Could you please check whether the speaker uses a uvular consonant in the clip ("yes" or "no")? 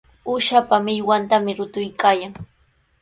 no